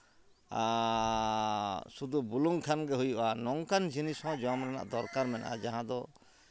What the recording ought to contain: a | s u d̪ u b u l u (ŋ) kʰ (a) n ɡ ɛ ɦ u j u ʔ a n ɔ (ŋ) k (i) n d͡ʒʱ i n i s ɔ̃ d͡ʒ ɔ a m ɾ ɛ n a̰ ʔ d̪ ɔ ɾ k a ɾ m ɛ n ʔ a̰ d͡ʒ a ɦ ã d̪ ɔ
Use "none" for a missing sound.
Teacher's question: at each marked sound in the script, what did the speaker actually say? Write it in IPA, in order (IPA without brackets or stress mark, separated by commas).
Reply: ŋ, a, ŋ, a